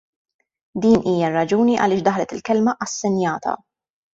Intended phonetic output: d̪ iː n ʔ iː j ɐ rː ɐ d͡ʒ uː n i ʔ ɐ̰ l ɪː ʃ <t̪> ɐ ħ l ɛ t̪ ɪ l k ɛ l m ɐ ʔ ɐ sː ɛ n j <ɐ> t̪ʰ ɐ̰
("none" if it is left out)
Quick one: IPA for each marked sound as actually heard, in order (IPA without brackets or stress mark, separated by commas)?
d̪, ɐː